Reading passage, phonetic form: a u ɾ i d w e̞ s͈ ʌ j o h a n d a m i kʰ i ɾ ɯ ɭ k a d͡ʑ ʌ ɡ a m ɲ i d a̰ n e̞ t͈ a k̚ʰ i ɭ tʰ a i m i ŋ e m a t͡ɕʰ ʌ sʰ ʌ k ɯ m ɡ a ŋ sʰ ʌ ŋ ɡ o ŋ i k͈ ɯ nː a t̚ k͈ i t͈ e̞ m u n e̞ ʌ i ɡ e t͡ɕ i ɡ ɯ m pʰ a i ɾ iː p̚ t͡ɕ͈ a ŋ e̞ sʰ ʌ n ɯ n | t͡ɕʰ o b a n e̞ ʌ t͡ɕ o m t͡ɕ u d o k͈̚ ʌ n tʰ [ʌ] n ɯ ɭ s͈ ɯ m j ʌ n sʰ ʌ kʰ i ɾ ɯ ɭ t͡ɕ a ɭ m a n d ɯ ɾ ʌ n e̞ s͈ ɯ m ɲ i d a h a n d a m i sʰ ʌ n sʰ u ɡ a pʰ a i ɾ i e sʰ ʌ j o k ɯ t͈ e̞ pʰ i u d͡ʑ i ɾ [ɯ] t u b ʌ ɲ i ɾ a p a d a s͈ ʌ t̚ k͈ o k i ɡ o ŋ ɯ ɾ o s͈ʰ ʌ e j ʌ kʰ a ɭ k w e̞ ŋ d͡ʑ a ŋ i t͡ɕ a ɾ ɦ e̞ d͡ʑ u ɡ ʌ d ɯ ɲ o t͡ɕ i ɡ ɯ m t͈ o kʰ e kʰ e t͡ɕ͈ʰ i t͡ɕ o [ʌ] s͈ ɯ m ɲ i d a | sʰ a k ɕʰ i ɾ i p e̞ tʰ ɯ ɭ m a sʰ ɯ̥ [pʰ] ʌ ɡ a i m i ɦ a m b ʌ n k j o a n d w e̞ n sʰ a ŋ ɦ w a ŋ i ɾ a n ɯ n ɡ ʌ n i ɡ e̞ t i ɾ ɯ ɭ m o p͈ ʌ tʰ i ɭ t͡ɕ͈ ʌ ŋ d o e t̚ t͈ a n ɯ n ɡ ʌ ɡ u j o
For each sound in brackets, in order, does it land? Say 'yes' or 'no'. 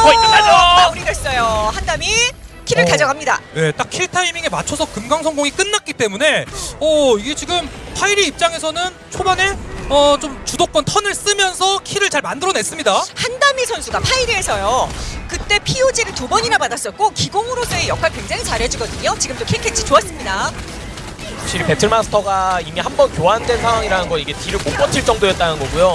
yes, yes, no, no

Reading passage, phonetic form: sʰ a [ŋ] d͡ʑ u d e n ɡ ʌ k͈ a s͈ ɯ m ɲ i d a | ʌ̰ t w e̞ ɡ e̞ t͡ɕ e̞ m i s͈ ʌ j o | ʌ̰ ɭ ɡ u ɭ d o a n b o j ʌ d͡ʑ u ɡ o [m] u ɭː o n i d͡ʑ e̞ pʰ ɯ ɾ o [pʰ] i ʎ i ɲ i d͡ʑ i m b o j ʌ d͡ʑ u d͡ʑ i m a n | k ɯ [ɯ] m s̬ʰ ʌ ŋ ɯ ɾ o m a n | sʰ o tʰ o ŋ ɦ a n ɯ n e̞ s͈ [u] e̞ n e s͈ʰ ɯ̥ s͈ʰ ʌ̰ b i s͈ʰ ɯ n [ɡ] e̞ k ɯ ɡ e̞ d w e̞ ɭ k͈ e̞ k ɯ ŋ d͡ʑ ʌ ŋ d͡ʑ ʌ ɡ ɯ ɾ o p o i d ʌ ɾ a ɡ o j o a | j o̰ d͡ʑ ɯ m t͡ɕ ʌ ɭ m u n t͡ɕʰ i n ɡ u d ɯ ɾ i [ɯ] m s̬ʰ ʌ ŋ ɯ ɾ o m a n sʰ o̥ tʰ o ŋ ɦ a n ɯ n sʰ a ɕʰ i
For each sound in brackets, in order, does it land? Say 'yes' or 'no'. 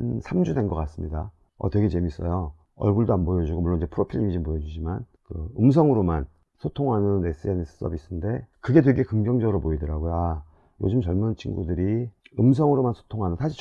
no, yes, yes, yes, no, no, yes

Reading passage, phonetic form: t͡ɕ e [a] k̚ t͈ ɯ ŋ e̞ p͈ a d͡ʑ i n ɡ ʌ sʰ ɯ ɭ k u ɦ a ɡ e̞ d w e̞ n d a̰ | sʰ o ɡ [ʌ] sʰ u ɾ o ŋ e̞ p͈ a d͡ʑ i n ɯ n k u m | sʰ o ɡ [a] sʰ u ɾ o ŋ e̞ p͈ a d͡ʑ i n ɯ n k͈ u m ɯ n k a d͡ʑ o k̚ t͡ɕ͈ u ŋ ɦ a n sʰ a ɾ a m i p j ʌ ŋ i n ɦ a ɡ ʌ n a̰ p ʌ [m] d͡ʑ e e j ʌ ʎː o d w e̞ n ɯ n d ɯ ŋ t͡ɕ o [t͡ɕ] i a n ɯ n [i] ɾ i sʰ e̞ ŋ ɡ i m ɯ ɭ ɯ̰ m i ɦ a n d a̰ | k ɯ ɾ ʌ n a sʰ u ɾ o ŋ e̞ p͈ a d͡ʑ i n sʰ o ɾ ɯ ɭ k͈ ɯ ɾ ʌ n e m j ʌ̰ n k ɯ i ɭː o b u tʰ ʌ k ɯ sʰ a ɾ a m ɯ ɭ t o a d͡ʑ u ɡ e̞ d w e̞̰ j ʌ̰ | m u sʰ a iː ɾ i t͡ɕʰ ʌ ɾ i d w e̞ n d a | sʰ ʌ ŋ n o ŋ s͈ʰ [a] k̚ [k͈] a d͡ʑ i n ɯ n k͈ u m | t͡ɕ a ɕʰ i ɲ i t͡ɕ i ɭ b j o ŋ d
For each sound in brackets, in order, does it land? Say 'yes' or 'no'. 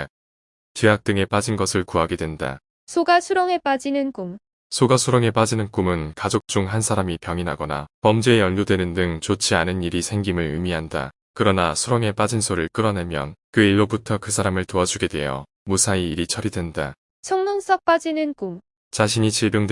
yes, no, yes, yes, no, yes, no, no

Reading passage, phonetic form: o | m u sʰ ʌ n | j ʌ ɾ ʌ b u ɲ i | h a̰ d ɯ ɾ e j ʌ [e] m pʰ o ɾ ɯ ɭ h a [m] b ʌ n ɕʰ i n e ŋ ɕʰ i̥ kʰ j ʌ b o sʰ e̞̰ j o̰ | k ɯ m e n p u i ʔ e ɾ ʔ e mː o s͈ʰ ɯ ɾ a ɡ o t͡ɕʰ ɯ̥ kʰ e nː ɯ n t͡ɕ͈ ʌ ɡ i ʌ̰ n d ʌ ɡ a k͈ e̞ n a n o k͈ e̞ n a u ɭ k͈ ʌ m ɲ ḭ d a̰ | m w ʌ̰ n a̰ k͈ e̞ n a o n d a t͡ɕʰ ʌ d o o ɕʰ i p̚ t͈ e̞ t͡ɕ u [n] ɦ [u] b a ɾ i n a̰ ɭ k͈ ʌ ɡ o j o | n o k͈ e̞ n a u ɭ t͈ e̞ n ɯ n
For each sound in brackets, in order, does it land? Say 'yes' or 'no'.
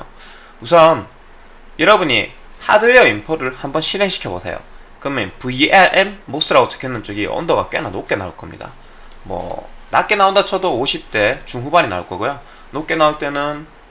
no, yes, no, yes

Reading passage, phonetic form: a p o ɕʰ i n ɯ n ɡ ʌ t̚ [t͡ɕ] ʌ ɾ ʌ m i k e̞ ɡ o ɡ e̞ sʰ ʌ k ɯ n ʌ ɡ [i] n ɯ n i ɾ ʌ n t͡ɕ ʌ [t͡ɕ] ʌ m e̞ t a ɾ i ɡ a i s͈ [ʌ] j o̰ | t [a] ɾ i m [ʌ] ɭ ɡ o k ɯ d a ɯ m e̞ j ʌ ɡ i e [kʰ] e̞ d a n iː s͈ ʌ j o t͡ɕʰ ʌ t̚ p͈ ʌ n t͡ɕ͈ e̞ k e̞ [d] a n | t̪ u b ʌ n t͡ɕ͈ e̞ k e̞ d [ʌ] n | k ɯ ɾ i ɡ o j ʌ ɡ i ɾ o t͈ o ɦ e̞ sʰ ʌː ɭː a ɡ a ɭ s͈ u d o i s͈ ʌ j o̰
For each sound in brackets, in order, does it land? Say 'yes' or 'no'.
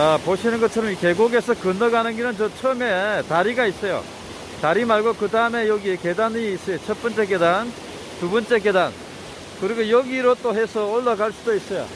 no, no, no, yes, yes, no, no, yes, no

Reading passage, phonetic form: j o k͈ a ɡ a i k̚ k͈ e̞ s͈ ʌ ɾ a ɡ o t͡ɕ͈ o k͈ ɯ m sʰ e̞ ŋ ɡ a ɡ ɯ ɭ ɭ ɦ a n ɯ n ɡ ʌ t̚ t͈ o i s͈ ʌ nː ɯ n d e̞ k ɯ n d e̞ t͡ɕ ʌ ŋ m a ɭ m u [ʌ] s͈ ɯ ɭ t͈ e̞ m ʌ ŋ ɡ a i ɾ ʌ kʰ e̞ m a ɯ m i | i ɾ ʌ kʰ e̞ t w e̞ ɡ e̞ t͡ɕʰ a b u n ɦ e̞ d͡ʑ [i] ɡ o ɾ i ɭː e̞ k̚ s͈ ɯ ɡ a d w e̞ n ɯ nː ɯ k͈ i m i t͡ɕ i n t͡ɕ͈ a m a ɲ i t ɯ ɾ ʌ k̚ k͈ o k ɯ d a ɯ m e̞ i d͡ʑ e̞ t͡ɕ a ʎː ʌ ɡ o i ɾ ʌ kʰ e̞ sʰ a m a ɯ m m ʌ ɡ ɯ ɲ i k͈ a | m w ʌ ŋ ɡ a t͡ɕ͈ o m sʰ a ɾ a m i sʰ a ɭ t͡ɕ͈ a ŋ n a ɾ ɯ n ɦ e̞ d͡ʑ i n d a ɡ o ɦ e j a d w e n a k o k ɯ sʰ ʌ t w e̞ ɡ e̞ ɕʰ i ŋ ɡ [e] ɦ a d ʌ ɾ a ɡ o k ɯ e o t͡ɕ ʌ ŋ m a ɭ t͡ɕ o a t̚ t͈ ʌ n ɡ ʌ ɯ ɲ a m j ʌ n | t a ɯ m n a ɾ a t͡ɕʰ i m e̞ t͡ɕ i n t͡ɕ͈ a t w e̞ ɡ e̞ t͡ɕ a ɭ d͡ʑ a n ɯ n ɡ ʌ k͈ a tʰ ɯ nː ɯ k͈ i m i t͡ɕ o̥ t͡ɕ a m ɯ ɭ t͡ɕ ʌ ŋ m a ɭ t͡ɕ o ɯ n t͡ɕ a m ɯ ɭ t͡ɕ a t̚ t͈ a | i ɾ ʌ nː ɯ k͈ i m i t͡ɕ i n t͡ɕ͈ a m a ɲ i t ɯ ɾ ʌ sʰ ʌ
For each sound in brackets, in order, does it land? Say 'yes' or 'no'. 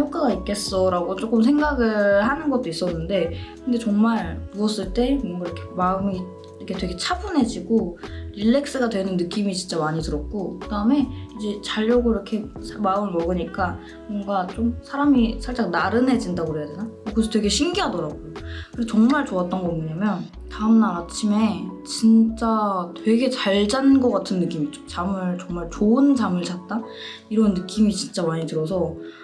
yes, yes, no

